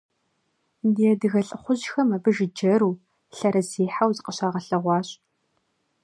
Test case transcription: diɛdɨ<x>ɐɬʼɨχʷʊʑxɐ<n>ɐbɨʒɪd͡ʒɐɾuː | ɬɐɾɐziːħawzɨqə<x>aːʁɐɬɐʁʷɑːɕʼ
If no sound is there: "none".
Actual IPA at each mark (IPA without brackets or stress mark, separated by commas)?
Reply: ɣ, m, ɕ